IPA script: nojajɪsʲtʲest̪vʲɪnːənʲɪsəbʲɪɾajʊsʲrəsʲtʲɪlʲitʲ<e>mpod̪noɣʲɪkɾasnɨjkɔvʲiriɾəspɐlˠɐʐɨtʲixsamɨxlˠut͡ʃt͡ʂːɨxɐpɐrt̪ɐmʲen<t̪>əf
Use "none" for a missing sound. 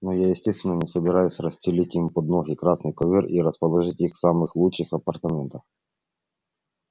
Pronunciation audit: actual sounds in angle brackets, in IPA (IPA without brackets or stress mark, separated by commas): i, t̪